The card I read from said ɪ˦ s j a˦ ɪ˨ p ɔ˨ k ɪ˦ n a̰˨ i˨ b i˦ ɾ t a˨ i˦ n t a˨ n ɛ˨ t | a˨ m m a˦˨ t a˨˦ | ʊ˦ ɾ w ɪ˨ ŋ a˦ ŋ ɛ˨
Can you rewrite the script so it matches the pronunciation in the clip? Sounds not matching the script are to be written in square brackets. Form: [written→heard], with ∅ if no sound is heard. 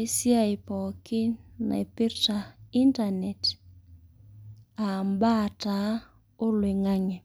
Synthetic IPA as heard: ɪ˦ s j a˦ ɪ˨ p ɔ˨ k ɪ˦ n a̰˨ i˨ [b→p] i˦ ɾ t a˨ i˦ n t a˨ n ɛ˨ t | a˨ m [m→b] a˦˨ t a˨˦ | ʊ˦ [ɾ→l] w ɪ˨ ŋ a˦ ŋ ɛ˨